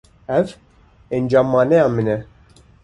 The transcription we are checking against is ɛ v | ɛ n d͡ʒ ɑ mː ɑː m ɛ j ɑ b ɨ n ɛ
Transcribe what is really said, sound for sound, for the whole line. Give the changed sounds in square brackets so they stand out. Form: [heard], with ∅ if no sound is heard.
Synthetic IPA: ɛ v | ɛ n d͡ʒ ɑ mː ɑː [n] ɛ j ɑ [m] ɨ n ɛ